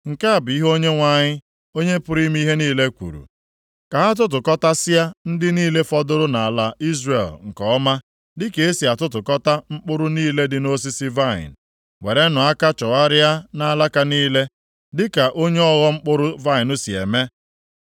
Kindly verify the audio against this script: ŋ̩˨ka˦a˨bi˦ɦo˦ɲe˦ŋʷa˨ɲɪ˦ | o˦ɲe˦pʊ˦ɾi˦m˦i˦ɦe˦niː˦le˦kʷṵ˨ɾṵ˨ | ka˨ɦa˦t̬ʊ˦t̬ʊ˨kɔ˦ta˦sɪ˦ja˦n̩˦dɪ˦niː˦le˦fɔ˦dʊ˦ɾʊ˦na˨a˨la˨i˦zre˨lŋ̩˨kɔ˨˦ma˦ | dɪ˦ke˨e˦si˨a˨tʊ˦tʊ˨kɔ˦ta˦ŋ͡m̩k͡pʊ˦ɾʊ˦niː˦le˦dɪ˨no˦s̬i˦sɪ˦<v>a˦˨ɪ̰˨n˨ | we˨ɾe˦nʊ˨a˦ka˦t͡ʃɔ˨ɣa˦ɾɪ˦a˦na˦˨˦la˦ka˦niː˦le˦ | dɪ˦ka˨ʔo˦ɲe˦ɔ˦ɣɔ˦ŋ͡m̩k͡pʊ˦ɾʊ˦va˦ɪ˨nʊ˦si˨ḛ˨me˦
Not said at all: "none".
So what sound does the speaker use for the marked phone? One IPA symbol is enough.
v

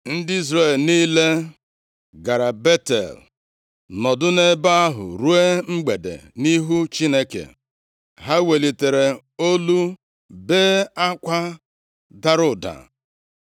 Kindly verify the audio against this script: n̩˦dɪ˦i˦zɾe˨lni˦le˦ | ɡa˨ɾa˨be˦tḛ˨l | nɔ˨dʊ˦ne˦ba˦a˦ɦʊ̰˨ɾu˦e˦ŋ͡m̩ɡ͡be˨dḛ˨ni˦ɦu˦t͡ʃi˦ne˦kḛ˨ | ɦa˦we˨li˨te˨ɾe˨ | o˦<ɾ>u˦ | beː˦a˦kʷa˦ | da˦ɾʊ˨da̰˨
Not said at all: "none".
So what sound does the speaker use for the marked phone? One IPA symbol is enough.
l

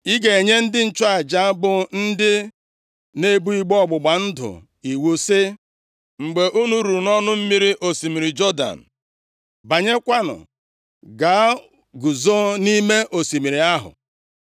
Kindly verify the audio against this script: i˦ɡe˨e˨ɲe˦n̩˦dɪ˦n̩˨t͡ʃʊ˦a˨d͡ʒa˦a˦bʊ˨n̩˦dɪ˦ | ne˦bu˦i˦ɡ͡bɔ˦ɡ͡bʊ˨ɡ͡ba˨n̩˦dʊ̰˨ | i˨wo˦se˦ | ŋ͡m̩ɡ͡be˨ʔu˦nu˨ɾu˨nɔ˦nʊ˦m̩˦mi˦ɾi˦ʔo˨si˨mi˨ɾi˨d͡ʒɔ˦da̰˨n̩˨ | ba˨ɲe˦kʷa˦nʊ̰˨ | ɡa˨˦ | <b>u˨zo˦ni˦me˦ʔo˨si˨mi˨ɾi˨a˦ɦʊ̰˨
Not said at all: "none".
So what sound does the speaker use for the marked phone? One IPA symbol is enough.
ɡ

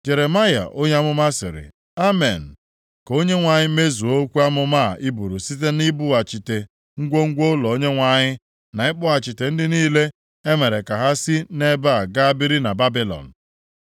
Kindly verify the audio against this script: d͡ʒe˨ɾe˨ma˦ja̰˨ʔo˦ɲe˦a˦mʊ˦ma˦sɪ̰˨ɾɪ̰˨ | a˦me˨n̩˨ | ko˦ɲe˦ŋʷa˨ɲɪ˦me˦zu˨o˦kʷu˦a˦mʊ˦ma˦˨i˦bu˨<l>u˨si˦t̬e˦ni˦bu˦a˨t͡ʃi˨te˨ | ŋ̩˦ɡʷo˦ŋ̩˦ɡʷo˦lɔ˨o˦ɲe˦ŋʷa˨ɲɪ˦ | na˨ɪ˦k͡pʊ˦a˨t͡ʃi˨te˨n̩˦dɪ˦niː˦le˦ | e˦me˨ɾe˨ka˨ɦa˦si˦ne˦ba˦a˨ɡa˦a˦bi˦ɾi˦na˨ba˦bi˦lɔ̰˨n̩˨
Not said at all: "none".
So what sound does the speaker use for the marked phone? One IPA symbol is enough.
ɾ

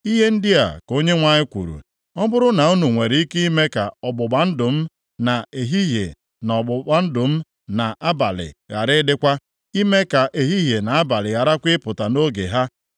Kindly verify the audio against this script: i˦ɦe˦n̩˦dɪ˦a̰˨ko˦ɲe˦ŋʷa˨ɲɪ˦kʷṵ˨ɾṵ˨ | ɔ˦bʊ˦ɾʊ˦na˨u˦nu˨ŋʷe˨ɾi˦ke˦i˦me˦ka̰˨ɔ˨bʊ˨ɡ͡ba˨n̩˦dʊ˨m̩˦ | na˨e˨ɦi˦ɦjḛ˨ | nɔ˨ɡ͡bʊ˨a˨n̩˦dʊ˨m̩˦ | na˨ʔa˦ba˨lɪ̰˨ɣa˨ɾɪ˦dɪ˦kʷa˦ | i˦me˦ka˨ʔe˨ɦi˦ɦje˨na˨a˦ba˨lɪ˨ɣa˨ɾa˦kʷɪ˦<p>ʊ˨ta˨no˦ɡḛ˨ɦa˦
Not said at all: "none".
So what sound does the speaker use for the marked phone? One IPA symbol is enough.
p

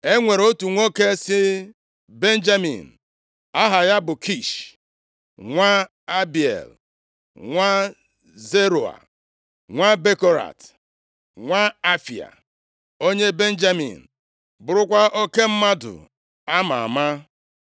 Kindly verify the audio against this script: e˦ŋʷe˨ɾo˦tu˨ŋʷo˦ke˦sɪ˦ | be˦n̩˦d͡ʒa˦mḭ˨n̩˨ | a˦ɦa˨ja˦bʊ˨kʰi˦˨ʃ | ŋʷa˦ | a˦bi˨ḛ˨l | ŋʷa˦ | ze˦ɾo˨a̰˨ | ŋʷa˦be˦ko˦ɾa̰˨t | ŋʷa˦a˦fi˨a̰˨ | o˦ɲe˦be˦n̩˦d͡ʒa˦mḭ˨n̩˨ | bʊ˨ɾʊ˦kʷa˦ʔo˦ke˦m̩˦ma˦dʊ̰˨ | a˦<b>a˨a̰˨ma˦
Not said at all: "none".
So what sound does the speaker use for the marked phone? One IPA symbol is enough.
m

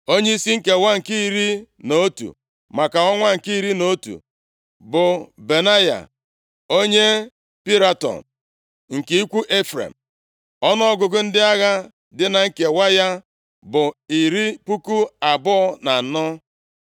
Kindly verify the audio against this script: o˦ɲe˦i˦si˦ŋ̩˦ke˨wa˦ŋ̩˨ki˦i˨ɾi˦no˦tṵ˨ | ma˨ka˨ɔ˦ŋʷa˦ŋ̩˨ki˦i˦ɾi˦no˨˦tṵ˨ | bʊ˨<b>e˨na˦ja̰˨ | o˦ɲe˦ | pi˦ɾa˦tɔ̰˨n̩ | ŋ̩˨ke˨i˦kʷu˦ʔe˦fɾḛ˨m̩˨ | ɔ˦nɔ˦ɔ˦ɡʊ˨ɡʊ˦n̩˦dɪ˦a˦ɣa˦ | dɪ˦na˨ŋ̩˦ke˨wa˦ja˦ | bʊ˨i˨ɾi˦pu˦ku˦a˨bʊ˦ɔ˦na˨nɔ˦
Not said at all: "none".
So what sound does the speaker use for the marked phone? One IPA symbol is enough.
b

